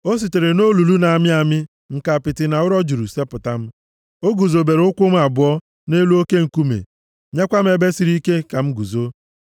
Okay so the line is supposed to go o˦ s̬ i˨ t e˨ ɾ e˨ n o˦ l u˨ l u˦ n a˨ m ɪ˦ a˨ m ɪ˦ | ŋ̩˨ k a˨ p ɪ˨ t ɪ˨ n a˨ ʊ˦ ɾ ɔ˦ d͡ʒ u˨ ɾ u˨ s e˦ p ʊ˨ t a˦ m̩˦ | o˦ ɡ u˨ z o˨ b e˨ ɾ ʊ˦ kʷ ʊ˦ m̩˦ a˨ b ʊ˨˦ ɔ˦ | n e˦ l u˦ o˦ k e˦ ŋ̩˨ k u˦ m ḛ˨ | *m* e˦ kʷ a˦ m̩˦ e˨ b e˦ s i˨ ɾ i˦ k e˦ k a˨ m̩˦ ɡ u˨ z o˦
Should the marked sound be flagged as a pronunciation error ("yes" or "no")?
yes